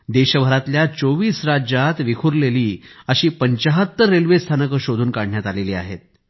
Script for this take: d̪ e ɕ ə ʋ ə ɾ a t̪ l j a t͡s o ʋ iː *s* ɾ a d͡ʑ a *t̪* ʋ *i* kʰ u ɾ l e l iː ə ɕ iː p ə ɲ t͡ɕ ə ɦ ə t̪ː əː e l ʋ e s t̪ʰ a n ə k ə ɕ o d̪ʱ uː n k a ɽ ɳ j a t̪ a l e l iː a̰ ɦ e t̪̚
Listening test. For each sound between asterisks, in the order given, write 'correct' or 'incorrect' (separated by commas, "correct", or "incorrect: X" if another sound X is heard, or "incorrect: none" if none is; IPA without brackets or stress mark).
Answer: correct, correct, correct